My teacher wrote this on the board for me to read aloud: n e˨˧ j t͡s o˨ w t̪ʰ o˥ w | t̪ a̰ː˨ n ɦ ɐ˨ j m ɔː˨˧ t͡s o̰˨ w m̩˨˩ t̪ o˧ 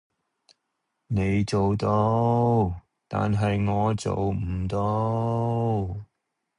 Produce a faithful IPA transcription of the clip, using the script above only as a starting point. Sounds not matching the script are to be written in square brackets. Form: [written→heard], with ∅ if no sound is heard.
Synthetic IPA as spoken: n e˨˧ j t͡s o˨ w [t̪ʰ→t̪] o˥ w | t̪ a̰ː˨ n ɦ ɐ˨ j [m→ŋ] ɔː˨˧ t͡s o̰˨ w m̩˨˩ t̪ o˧